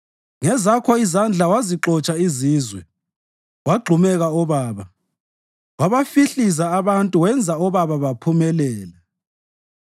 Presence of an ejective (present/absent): present